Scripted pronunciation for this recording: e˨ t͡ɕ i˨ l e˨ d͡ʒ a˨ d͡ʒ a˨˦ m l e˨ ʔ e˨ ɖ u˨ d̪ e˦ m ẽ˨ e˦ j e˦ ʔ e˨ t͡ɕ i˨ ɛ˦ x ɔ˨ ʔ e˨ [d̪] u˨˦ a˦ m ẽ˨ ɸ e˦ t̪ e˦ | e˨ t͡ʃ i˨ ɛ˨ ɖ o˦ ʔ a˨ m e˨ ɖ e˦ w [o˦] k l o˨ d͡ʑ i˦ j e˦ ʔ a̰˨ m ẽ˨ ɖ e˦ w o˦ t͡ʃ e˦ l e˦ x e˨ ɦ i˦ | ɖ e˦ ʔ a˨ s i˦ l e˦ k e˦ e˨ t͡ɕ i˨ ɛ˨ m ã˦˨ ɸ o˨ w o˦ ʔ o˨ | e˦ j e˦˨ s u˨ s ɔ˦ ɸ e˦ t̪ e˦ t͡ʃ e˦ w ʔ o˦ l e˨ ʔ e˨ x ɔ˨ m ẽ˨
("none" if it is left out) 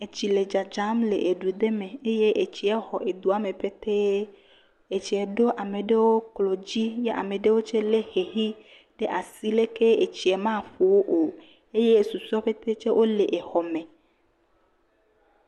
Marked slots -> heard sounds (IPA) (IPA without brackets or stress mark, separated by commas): d̪, o˦